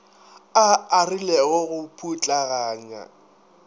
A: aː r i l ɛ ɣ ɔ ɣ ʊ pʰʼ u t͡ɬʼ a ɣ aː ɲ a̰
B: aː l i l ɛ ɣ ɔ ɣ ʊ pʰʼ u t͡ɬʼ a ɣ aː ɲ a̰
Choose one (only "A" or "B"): A